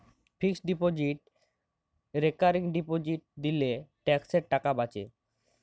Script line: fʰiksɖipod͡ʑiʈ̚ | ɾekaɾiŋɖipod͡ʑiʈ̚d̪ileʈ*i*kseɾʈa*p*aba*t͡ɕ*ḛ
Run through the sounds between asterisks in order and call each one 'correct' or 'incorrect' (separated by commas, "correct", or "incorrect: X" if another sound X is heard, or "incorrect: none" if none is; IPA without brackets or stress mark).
incorrect: ɛ, incorrect: k, correct